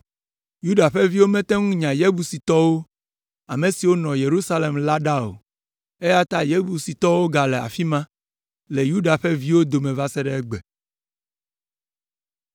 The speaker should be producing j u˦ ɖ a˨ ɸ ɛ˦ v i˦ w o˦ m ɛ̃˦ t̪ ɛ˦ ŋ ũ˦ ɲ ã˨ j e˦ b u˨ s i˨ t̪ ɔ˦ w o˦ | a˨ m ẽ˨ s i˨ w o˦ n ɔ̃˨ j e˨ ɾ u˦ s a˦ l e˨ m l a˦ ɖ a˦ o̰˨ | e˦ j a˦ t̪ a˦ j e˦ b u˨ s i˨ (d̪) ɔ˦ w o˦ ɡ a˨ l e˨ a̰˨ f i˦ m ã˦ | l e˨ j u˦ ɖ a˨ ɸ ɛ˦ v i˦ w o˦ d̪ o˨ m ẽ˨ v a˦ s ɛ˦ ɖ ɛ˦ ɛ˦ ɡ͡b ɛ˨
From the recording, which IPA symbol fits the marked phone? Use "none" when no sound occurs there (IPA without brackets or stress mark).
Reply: t̪